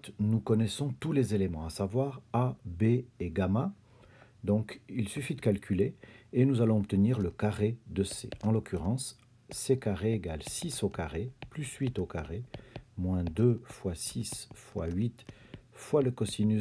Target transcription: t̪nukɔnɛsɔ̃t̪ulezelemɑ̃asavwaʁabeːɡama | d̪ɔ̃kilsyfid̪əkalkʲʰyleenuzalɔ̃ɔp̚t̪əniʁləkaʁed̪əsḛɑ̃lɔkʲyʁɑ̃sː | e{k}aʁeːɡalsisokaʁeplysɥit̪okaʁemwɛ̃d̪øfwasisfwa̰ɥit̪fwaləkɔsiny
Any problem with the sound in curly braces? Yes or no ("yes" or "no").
no